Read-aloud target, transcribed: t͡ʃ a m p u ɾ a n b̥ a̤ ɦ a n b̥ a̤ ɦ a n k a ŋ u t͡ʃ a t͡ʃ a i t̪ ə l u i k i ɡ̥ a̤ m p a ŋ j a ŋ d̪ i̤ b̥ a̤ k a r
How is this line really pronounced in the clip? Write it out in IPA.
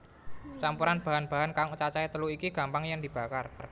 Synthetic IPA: t͡ʃ a m p u ɾ a n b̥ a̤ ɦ a n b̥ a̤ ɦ a n k a ŋ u t͡ʃ a t͡ʃ a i t̪ ə l u i k i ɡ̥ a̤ m p a ŋ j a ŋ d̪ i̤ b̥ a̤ k a r